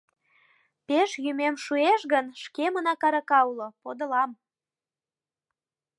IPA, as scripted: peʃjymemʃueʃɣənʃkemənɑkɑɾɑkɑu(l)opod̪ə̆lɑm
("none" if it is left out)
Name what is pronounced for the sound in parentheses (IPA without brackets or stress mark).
l